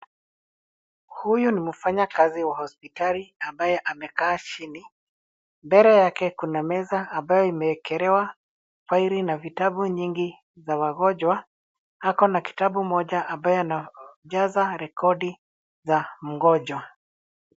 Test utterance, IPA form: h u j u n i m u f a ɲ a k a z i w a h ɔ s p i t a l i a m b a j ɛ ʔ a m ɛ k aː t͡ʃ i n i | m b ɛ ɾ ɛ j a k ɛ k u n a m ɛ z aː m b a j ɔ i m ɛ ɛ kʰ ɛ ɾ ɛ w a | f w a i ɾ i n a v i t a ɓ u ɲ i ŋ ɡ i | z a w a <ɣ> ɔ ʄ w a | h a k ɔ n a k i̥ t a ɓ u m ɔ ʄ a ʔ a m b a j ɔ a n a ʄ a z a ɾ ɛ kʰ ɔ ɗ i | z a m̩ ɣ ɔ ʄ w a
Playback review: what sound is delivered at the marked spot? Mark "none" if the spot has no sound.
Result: ɣ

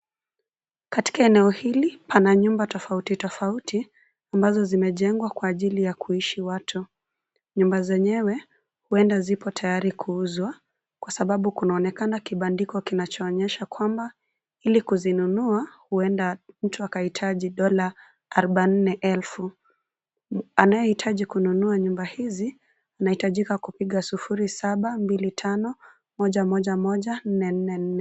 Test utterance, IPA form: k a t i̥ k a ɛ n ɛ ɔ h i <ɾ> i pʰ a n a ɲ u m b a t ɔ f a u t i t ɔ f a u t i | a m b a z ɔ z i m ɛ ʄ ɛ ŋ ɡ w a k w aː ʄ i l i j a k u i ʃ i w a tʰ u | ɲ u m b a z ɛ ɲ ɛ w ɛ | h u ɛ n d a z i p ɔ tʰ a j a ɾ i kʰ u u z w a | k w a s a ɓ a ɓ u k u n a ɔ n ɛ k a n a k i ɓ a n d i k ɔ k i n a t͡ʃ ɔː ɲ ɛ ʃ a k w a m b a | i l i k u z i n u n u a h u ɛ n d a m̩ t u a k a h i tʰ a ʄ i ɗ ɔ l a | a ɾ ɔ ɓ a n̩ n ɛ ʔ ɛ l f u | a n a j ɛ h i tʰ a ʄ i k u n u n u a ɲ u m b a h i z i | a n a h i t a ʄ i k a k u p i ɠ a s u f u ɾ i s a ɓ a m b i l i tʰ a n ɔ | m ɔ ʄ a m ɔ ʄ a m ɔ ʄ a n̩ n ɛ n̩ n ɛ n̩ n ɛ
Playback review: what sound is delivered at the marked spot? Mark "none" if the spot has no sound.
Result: l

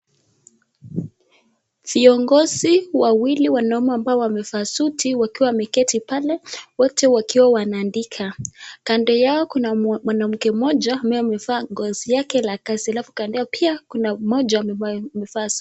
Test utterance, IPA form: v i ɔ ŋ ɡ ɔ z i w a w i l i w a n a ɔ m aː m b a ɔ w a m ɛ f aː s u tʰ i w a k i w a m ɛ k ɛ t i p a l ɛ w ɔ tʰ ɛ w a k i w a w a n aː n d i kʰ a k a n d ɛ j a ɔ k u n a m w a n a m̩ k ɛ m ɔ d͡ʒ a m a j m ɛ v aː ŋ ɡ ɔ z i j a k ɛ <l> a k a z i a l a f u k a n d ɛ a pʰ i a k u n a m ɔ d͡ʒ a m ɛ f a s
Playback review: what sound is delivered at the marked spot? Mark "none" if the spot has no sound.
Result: l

